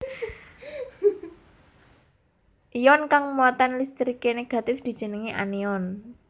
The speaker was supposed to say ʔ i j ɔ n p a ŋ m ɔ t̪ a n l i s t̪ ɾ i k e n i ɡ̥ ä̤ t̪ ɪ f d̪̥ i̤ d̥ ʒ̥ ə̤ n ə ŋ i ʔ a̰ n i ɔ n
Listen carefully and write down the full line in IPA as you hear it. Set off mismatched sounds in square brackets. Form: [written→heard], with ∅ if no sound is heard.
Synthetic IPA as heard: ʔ i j ɔ n [p→k] a ŋ m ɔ t̪ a n l i s t̪ ɾ i k e n [i→e] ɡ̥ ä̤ t̪ ɪ f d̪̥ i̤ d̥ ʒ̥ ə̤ n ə ŋ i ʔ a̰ n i ɔ n